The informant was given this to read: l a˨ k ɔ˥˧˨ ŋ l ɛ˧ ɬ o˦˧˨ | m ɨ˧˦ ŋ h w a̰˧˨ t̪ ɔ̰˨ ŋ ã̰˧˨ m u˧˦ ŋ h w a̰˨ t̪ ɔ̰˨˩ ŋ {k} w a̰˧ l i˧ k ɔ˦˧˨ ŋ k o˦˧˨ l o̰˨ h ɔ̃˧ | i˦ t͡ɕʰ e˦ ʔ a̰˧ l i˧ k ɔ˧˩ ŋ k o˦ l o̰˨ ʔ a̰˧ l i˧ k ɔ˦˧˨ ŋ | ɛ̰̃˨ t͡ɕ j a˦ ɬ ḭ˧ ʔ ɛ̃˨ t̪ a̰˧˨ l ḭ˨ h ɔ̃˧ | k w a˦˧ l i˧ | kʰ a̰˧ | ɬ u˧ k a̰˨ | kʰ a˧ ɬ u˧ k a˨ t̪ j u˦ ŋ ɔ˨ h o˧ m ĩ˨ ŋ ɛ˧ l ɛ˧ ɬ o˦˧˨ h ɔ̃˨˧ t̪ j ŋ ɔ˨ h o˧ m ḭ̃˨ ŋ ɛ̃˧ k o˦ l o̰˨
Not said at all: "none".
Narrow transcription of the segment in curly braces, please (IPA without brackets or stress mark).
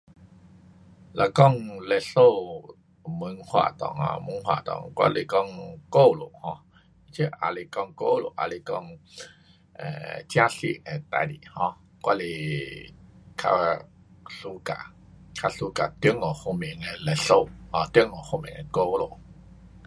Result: k